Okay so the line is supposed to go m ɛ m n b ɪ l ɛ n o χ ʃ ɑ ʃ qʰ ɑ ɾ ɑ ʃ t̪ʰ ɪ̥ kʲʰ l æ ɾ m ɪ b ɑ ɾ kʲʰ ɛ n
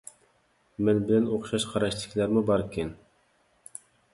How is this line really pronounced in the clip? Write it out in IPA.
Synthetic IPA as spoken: m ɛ n b ɪ l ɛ n o χ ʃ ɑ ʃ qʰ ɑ ɾ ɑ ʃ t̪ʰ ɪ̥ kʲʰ l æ ɾ m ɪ b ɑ ɾ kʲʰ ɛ n